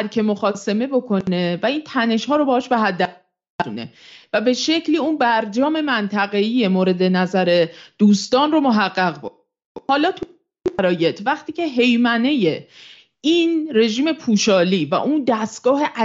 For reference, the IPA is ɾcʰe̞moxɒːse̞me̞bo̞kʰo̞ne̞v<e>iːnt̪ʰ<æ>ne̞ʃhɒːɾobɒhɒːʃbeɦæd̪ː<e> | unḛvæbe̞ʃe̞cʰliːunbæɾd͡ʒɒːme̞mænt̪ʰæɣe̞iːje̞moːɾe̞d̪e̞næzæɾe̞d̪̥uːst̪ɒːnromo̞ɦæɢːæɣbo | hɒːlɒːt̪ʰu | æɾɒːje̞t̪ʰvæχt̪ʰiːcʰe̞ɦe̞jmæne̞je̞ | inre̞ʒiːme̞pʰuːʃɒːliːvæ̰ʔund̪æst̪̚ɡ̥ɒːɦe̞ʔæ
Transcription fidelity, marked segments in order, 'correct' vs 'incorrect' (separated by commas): incorrect, correct, incorrect